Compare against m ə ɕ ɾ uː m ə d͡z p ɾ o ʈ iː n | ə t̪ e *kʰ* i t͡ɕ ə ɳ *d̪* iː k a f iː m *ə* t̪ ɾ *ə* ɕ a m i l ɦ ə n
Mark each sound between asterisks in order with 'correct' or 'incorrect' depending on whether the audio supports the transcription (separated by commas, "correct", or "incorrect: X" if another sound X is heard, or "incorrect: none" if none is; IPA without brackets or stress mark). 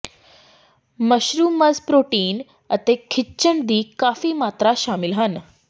correct, correct, incorrect: a, incorrect: a